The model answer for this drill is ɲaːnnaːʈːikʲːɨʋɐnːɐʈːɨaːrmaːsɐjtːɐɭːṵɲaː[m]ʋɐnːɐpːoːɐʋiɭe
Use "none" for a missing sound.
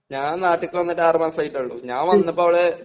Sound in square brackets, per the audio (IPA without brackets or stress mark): n